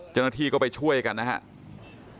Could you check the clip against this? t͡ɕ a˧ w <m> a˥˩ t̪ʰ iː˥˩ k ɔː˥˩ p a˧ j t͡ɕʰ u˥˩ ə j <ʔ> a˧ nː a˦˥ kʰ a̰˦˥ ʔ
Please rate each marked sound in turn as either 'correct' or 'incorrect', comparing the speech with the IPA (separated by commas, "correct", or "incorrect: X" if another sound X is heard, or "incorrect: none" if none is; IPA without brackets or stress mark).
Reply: incorrect: n, incorrect: k